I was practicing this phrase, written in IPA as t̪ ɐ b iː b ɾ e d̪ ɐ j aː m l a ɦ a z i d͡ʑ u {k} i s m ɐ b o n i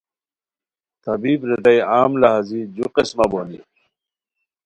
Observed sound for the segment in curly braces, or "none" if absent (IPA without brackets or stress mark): q